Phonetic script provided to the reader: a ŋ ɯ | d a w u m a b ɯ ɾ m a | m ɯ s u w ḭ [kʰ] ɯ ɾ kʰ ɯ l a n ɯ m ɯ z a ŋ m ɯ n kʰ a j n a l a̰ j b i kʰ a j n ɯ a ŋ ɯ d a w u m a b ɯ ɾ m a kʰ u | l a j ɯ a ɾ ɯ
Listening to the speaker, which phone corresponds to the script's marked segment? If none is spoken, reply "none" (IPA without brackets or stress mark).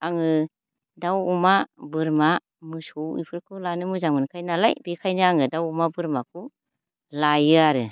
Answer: pʰ